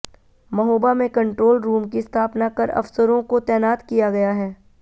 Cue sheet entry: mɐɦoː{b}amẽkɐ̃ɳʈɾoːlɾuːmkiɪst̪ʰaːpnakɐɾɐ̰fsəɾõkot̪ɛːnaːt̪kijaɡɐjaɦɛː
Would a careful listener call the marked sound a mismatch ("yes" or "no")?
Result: no